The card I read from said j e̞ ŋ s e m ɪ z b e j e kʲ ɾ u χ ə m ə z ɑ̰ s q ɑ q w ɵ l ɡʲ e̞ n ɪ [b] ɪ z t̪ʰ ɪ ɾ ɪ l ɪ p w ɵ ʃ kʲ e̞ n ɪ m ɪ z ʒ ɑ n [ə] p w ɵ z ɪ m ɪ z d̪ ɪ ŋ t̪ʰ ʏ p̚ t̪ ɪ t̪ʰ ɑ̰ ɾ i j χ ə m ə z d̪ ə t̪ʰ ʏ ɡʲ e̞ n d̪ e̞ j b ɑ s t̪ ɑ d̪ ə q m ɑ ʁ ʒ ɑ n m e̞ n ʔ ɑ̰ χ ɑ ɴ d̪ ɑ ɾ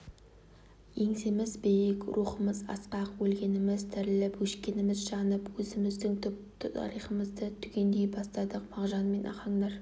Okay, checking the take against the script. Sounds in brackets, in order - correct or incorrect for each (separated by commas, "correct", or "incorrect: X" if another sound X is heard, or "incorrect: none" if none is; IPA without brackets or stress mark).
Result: incorrect: m, correct